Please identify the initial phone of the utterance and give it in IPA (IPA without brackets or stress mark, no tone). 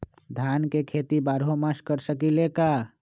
d̪ʱ